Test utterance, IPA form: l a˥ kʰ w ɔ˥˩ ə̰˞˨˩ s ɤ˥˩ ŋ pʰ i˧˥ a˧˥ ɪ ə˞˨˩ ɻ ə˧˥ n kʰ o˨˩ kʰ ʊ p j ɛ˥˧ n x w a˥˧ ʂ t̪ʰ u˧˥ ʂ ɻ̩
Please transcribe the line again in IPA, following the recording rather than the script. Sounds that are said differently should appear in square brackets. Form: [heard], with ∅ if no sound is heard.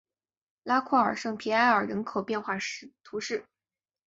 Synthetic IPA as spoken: l a˥ kʰ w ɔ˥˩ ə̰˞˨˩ [ʂ] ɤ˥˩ ŋ pʰ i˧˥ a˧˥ ɪ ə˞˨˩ ɻ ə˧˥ n kʰ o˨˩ [∅] ʊ p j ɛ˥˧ n x w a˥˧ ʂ t̪ʰ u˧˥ ʂ ɻ̩